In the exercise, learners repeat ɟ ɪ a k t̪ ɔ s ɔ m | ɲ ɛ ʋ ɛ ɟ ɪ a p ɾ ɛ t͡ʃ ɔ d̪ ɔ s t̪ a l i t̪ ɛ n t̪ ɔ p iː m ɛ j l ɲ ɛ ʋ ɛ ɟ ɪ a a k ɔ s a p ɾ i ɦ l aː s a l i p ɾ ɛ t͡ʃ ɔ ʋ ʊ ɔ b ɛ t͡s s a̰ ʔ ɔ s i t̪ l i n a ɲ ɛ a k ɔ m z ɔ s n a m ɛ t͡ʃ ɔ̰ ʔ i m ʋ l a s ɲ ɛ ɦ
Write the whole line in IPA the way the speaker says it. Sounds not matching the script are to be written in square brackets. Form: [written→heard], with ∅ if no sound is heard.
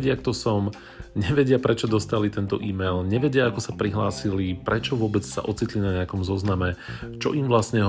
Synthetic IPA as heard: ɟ ɪ a k t̪ ɔ s ɔ m | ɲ ɛ ʋ ɛ ɟ ɪ a p ɾ ɛ t͡ʃ ɔ d̪ ɔ s t̪ a l i t̪ ɛ n t̪ ɔ [p→ʔ] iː m ɛ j l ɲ ɛ ʋ ɛ ɟ ɪ a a k ɔ s a p ɾ i ɦ l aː s [a→i] l i p ɾ ɛ t͡ʃ ɔ ʋ ʊ ɔ b ɛ t͡s s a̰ ʔ ɔ [s→t͡s] i t̪ l i n a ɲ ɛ a k ɔ m z ɔ [s→z] n a m ɛ t͡ʃ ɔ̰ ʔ i m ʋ l a s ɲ ɛ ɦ